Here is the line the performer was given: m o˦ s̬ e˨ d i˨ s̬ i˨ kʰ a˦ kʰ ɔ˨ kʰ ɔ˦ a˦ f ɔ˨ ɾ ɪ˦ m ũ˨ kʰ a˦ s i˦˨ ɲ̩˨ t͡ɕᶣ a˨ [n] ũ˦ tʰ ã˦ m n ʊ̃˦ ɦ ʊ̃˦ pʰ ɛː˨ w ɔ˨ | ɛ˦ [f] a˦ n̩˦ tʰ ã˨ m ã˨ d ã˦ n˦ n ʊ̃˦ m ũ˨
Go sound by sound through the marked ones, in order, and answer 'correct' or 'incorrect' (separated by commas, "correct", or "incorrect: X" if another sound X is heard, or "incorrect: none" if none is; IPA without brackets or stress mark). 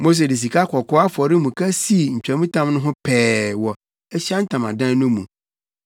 incorrect: m, incorrect: ɕ